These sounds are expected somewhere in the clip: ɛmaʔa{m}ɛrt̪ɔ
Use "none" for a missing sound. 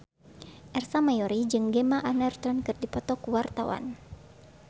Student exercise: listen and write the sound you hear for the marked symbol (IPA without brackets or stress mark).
n